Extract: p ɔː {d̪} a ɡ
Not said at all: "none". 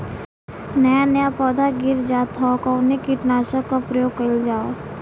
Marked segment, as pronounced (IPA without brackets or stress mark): d̪